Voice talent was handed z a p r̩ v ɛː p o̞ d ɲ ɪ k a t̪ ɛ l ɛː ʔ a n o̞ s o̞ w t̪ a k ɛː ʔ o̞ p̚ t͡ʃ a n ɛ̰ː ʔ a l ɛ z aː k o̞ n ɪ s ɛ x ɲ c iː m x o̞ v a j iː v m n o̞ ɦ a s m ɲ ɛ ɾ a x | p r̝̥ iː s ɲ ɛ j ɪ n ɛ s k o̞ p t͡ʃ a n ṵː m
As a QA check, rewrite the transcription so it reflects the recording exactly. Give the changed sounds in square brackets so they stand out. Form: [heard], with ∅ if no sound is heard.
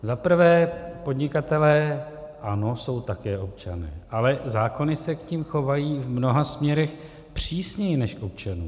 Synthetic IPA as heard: z a p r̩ v ɛː p o̞ d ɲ ɪ k a t̪ ɛ l ɛː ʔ a n o̞ s o̞ w t̪ a k ɛː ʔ o̞ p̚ t͡ʃ a n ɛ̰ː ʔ a l ɛ z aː k o̞ n ɪ s ɛ [k] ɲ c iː m x o̞ v a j iː v m n o̞ ɦ a s m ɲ ɛ ɾ [ɛ] x | p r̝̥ iː s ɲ ɛ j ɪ n ɛ [ʃ] k o̞ p t͡ʃ a n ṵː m